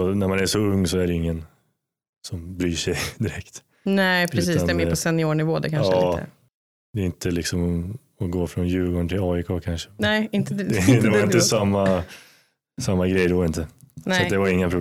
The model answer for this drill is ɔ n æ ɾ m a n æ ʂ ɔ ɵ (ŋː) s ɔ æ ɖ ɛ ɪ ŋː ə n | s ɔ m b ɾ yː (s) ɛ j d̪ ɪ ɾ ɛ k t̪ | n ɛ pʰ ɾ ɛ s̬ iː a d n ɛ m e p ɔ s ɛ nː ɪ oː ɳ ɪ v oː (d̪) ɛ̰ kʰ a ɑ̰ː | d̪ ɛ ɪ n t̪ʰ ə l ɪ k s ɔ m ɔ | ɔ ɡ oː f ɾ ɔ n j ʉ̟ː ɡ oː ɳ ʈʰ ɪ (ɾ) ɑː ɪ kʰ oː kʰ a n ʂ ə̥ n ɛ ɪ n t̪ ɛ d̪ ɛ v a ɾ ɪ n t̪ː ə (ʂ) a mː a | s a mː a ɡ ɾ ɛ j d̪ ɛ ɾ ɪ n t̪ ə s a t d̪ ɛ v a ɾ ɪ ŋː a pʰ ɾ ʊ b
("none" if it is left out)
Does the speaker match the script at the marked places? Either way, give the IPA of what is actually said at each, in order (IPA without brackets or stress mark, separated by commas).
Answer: ŋː, ʂ, d̪, l, s